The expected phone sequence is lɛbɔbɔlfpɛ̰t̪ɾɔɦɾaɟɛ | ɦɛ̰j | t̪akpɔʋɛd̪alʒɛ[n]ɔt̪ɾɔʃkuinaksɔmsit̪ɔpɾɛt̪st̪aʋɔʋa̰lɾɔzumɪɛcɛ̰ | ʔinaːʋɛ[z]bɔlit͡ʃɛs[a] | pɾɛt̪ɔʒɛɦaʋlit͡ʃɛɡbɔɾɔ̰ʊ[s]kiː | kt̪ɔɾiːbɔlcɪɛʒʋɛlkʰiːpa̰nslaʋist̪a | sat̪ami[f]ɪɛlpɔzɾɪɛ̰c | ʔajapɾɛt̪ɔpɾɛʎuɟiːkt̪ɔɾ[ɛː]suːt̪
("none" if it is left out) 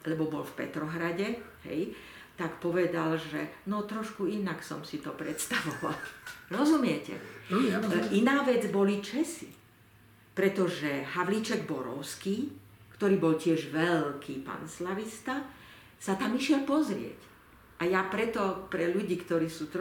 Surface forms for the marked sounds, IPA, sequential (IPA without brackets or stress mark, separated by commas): n, d͡z, i, s, ʃ, iː